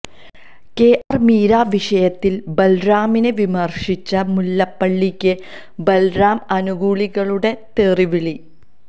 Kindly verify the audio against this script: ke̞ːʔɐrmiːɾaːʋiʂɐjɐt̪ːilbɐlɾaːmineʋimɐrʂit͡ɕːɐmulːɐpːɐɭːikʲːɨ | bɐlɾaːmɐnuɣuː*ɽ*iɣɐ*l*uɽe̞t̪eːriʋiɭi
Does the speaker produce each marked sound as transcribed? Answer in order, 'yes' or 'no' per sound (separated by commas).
no, no